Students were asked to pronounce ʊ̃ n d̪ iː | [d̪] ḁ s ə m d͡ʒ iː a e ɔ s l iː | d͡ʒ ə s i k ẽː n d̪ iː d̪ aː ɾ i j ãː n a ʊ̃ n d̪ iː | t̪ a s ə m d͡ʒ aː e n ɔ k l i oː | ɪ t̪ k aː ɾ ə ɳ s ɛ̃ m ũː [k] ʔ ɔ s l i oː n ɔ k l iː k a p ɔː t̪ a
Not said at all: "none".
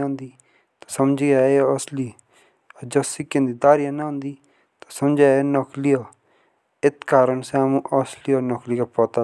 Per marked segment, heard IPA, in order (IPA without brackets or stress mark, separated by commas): t̪, none